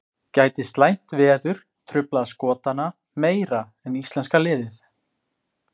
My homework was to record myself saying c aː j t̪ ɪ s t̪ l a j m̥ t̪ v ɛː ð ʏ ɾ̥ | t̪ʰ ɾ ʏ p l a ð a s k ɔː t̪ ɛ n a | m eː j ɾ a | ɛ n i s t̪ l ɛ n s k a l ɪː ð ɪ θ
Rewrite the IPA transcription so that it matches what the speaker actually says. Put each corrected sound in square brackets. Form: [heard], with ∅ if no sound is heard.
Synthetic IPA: c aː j t̪ ɪ s t̪ l a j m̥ t̪ v ɛː ð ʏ ɾ̥ | t̪ʰ ɾ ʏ p l a ð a s k ɔː t̪ [a] n a | m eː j ɾ a | ɛ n i s t̪ l ɛ n s k a l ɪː ð ɪ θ